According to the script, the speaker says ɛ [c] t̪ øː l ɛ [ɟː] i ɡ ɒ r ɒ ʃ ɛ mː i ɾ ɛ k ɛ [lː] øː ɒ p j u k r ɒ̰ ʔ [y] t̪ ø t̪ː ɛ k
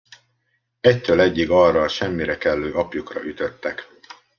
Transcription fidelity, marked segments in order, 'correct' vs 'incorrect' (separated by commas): correct, correct, correct, correct